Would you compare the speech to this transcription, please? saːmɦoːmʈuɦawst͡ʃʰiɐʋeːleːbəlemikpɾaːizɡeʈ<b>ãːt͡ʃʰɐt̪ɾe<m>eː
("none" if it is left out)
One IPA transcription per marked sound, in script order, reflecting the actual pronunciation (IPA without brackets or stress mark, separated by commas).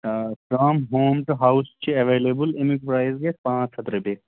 p, b